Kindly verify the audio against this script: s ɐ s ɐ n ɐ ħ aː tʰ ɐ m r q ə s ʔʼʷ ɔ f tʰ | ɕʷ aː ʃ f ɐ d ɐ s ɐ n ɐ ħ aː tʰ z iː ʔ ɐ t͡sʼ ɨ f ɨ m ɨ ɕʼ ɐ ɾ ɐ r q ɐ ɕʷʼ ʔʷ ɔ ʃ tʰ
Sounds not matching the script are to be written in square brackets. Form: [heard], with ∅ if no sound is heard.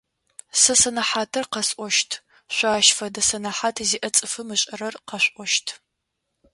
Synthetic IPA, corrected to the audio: s ɐ s ɐ n ɐ ħ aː tʰ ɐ [∅] r q [ɐ] s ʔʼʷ ɔ [ʃ] tʰ | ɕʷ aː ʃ f ɐ d ɐ s ɐ n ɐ ħ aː tʰ z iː ʔ ɐ t͡sʼ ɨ f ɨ m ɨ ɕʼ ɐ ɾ ɐ r q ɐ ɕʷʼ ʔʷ ɔ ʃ tʰ